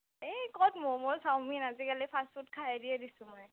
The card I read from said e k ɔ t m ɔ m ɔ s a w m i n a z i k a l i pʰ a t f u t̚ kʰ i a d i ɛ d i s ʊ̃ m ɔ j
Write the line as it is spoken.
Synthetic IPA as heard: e k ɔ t m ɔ m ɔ s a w m i n a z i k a l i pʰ a s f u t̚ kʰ a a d i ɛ d i s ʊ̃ m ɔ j